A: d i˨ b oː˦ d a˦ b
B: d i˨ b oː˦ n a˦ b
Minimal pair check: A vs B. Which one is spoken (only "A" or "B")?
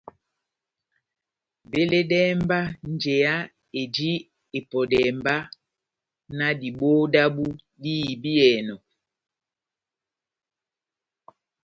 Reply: A